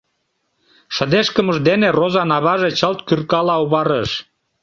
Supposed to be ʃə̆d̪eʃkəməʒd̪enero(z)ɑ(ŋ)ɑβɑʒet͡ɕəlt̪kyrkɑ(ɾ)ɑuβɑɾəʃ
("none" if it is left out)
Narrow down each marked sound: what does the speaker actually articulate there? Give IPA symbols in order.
z, n, l

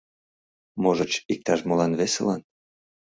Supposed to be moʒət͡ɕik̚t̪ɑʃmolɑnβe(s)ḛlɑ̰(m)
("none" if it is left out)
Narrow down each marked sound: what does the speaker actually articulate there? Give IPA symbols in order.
s, n

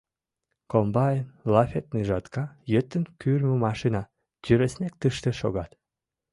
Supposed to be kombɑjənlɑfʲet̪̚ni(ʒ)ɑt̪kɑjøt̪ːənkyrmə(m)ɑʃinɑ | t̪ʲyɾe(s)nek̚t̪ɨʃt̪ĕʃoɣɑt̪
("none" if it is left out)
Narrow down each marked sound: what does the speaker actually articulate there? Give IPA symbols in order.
ʒ, m, s

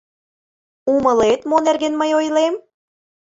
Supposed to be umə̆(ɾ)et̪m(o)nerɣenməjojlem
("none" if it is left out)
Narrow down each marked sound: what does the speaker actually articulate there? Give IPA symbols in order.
l, o

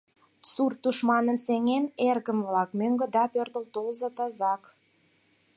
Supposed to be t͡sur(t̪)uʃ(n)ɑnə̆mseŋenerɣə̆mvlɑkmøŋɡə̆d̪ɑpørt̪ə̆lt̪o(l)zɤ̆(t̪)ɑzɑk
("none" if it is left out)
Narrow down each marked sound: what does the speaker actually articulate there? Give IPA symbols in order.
t̪, m, l, t̪

